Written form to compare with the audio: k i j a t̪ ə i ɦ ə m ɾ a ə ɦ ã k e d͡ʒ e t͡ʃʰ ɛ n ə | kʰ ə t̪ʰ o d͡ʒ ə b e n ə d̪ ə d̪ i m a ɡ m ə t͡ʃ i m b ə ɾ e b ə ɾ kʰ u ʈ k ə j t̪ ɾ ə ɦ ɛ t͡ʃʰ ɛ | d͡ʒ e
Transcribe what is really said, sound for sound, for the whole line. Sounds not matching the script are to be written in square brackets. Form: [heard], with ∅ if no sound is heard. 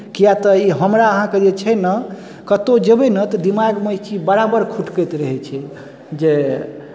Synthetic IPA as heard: k i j a t̪ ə i ɦ ə m ɾ a ə ɦ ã k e d͡ʒ e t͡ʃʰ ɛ n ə | [k] ə [t̪] o d͡ʒ ə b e n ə [t̪] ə d̪ i m a ɡ m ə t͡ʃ i [∅] b ə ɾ [a] b ə ɾ kʰ u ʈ k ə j t̪ ɾ ə ɦ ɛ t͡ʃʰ ɛ | d͡ʒ e